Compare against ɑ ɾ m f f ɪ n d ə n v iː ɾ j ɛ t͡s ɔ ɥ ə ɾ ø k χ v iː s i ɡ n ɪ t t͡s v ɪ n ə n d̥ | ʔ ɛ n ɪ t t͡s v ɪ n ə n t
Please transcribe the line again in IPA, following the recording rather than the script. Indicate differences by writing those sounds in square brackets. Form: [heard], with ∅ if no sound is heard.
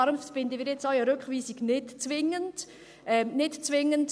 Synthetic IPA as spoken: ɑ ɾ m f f ɪ n d ə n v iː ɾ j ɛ t͡s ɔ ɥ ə ɾ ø k χ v iː s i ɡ n ɪ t t͡s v ɪ [ŋ] ə n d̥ | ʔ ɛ n ɪ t t͡s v ɪ [ŋ] ə n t